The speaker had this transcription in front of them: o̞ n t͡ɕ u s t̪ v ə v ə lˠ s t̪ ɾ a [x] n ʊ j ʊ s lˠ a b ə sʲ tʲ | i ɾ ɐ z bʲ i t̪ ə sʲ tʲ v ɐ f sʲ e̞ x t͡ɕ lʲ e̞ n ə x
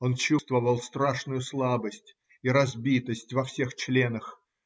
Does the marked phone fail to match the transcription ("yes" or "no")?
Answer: yes